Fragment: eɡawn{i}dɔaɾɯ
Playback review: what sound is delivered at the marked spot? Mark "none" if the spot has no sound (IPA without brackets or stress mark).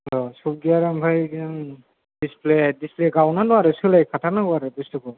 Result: a